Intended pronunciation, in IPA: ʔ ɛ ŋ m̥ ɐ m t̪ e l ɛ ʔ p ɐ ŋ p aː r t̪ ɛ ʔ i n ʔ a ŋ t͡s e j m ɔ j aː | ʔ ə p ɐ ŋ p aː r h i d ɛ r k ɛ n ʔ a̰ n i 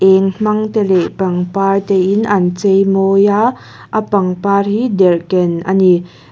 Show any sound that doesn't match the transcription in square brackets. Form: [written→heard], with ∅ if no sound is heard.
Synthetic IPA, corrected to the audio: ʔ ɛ ŋ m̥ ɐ [m→ŋ] t̪ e l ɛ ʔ p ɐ ŋ p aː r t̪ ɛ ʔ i n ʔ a [ŋ→n] t͡s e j m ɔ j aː | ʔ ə p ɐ ŋ p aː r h i d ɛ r k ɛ n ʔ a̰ n i